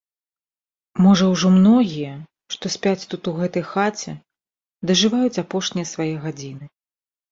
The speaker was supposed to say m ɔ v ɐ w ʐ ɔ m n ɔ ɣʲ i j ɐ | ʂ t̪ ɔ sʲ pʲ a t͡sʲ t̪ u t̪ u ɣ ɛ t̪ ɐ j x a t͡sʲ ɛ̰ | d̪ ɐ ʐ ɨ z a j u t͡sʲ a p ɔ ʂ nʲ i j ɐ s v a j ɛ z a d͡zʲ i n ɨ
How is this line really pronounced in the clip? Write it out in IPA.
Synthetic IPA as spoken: m ɔ ʐ ɐ w ʐ ɔ m n ɔ ɣʲ i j ɐ | ʂ t̪ ɔ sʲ pʲ a t͡sʲ t̪ u t̪ u ɣ ɛ t̪ ɐ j x a t͡sʲ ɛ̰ | d̪ ɐ ʐ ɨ v a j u t͡sʲ a p ɔ ʂ nʲ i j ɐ s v a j ɛ ɣ a d͡zʲ i n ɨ